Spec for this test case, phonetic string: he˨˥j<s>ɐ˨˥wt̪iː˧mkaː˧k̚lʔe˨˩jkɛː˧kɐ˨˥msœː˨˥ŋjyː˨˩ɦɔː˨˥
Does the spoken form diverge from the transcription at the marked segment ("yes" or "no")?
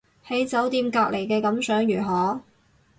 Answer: yes